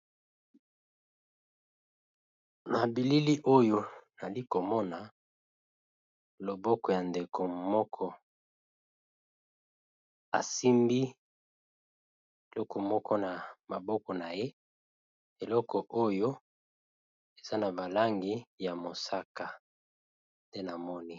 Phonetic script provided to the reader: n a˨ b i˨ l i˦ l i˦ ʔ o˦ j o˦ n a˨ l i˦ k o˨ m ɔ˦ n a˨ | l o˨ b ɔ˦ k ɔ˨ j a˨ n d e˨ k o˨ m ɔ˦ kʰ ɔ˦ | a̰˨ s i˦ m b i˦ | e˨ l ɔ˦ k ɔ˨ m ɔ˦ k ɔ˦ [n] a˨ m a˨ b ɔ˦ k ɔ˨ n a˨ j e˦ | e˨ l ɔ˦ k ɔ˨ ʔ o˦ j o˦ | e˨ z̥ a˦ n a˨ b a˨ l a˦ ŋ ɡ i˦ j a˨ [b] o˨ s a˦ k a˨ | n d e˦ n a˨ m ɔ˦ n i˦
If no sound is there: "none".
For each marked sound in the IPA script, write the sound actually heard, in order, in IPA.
n, m

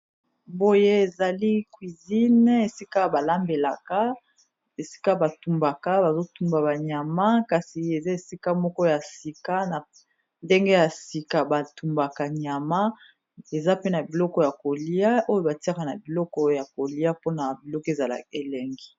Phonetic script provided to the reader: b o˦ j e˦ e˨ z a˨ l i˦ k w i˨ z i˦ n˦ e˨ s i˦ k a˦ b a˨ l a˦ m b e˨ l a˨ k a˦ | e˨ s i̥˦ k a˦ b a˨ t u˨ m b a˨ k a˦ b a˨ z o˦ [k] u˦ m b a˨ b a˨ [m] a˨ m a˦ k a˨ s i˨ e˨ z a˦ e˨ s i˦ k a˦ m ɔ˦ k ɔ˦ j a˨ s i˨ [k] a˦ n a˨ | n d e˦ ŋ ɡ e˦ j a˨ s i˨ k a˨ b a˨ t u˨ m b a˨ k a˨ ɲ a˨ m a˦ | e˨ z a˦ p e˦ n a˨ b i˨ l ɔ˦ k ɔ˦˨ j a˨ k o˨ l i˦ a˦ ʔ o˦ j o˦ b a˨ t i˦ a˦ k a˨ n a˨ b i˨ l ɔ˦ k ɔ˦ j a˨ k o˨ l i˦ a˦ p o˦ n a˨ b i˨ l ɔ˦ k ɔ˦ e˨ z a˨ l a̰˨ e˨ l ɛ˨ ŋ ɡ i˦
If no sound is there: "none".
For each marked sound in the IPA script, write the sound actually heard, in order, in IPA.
t, ɲ, k

